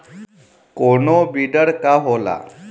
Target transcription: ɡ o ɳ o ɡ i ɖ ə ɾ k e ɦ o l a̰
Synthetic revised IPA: k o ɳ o b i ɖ ə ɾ k a ɦ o l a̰